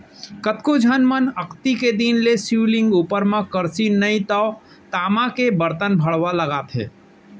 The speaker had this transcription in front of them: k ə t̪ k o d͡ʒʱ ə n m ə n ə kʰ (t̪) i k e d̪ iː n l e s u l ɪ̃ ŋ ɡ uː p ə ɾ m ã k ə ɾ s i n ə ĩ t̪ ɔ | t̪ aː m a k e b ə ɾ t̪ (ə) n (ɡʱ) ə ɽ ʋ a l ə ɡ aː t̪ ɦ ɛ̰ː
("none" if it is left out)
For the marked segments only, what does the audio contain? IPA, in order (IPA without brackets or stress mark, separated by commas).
t̪, ə, bʱ